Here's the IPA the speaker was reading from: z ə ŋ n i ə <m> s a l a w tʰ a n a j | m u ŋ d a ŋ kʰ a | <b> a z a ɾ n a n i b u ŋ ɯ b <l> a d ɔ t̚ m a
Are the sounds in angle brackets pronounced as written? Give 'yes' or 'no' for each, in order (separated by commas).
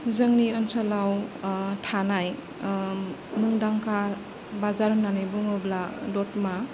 no, yes, yes